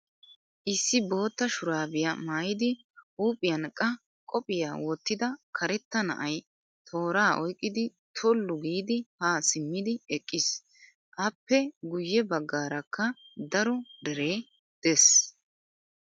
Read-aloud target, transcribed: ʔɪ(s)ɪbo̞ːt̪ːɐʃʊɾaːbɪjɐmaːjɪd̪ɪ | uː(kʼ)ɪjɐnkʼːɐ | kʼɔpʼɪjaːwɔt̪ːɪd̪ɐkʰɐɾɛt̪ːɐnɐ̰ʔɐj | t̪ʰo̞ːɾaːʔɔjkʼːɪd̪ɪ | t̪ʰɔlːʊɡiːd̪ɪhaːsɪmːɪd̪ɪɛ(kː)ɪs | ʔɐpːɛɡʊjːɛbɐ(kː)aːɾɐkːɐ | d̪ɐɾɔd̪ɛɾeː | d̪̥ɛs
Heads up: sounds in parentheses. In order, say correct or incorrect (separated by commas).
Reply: incorrect, incorrect, incorrect, incorrect